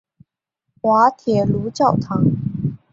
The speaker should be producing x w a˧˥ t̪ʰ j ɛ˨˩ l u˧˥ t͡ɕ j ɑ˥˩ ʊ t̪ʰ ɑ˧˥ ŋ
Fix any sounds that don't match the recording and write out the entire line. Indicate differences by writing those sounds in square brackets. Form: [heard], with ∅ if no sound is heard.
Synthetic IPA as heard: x w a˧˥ t̪ʰ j ɛ˨˩ l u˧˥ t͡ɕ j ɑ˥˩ ʊ t̪ʰ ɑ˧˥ ŋ